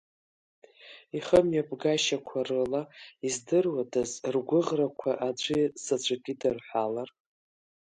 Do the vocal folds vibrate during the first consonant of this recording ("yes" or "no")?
no